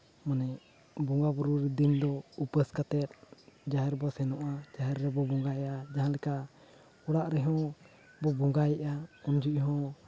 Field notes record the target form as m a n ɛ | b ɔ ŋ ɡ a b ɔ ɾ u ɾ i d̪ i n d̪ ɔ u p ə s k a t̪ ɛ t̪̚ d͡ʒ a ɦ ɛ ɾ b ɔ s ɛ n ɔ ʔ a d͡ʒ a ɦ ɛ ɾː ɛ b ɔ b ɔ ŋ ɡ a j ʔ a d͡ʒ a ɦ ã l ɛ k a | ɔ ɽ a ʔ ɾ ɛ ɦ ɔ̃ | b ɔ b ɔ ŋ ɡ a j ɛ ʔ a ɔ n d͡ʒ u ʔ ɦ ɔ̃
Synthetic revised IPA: m a n ɛ | b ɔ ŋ ɡ a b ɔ ɾ u ɾ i d̪ i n d̪ ɔ u p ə s k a t̪ ɛ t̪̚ d͡ʒ a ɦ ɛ ɾ b ɔ s ɛ n ɔ ʔ a d͡ʒ a ɦ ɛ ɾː ɛ b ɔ b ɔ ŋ ɡ a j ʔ a d͡ʒ a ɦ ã l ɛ k a | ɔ ɽ a ʔ ɾ ɛ ɦ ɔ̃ | b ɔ b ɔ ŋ ɡ a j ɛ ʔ a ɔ n d͡ʒ u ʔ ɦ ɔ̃